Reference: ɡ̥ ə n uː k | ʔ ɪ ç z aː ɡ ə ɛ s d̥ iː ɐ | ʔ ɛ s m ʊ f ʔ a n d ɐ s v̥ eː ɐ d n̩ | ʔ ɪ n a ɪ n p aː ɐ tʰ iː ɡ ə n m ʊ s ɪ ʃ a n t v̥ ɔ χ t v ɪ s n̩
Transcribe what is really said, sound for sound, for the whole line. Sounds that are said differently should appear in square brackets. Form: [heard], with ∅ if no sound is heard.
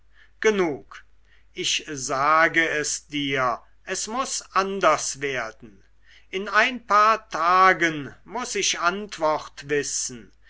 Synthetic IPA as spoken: ɡ̥ ə n uː k | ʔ ɪ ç z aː ɡ ə ɛ s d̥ iː ɐ | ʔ ɛ s m ʊ [s] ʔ a n d ɐ s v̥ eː ɐ d n̩ | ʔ ɪ n a ɪ n p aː ɐ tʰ [aː] ɡ ə n m ʊ s ɪ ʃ a n t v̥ ɔ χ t v ɪ s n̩